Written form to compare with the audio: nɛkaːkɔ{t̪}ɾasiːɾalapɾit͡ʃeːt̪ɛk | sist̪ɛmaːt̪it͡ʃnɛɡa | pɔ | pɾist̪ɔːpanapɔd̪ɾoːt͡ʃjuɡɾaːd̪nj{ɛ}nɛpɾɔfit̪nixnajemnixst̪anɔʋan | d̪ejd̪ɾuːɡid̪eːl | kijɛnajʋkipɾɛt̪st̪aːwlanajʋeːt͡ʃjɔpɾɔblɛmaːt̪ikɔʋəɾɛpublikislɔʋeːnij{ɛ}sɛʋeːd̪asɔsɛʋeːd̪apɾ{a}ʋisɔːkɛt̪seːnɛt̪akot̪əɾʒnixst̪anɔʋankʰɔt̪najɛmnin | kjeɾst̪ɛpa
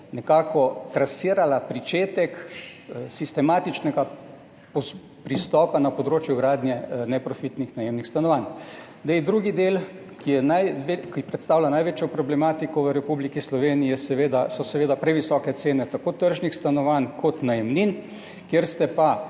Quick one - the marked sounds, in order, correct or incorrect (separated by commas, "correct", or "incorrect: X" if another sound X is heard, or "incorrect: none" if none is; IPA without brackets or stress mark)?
correct, correct, correct, incorrect: ɛ